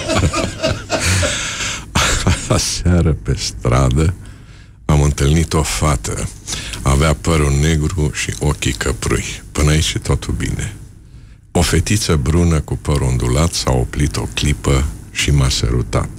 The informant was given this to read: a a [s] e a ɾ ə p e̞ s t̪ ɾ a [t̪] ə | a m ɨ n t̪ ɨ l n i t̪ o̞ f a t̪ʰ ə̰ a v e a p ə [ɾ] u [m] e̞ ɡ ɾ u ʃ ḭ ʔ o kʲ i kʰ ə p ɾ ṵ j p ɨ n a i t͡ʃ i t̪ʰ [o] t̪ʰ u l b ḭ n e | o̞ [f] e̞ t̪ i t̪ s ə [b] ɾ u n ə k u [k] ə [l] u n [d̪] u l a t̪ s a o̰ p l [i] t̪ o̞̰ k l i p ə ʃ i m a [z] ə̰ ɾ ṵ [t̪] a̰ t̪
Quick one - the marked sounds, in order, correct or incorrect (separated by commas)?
correct, incorrect, correct, incorrect, correct, correct, correct, incorrect, incorrect, correct, correct, incorrect, correct